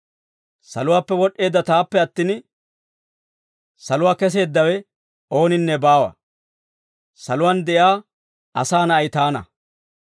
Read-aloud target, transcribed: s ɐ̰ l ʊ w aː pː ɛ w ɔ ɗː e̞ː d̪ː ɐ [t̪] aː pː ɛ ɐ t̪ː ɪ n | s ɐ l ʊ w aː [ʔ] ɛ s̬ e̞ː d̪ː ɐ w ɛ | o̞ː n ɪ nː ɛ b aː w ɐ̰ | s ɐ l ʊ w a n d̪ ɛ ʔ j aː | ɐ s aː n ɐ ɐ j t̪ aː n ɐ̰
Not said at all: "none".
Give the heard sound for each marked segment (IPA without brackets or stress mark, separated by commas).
t̪, k